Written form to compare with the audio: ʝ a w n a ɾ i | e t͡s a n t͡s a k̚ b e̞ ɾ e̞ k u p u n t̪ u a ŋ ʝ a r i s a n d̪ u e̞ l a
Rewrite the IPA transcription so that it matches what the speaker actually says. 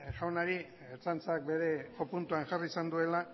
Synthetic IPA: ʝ a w n a ɾ i | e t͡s a n t͡s a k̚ b e̞ ɾ e̞ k o p u n t̪ u a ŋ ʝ a r i s a n d̪ u e̞ l a